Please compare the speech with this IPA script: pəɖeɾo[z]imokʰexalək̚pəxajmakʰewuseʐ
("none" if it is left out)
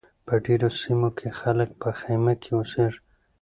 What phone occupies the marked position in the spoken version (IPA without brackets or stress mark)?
s